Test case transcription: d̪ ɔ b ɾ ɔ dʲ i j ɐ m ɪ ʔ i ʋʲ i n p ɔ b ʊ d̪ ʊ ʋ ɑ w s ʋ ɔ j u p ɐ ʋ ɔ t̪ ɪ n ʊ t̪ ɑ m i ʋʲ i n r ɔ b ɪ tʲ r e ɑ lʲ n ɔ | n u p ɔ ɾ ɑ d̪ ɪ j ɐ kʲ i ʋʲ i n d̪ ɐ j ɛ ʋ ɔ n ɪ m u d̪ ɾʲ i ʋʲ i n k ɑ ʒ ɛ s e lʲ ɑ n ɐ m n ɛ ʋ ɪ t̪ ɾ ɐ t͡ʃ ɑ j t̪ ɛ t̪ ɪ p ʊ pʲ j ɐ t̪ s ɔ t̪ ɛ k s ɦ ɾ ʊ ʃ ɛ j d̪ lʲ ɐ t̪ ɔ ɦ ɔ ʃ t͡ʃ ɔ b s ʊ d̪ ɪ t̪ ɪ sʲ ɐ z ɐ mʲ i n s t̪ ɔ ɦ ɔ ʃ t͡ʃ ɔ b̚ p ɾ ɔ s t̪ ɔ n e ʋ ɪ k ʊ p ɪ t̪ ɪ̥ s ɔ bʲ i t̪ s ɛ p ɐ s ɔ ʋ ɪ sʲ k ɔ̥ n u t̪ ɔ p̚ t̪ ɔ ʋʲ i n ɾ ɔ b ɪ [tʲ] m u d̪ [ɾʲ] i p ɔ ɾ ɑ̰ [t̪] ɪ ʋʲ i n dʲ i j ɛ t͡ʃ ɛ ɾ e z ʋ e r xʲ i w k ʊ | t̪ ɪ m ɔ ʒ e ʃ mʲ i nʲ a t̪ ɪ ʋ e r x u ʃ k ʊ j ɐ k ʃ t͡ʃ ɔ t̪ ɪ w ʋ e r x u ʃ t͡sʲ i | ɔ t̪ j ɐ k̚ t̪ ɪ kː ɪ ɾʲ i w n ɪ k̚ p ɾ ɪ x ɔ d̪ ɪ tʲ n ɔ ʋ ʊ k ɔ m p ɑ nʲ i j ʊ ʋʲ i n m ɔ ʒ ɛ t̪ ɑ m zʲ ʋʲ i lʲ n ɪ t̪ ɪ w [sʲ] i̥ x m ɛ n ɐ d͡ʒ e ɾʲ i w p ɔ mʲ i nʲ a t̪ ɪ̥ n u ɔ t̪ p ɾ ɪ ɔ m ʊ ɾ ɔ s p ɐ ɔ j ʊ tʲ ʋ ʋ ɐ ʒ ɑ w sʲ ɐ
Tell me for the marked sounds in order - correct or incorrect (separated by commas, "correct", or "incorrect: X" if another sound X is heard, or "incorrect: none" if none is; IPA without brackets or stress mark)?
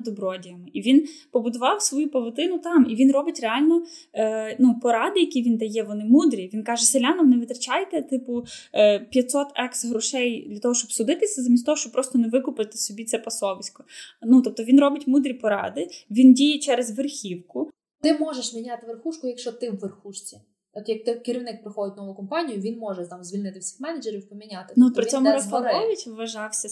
correct, correct, incorrect: d̪, correct